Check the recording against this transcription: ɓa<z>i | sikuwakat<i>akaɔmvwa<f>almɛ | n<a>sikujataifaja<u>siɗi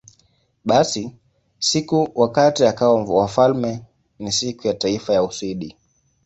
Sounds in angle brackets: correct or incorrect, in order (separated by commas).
incorrect, correct, correct, incorrect, correct